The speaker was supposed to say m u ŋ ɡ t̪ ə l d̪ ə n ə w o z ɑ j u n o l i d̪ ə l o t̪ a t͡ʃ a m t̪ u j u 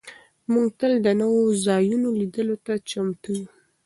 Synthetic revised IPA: m u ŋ ɡ t̪ ə l d̪ ə n ə w o z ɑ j u n o l i d̪ ə l o t̪ a t͡ʃ a m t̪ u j u